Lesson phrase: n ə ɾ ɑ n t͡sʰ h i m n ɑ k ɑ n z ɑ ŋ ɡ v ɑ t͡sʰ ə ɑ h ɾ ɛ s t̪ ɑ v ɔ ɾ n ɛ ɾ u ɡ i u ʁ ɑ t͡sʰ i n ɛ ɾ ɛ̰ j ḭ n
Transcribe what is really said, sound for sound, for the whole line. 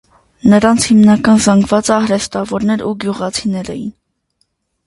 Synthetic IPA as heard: n ə ɾ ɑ n t͡sʰ h i m n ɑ k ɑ n z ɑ ŋ ɡ v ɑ t͡s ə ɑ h ɾ ɛ s t̪ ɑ v ɔ ɾ n ɛ ɾ u ɡ j u ʁ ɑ t͡sʰ i n ɛ ɾ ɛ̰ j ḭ n